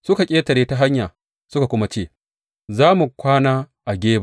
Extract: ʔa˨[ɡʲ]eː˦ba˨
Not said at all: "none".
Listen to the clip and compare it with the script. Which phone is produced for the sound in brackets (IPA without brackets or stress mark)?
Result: ɡʲ